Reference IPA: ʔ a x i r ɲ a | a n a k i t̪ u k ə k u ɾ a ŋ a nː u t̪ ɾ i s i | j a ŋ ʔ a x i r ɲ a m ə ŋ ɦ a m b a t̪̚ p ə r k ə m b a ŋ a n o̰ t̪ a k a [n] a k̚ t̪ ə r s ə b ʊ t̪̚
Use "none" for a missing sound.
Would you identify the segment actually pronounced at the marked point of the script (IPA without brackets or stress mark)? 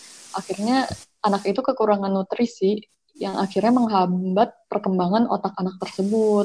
n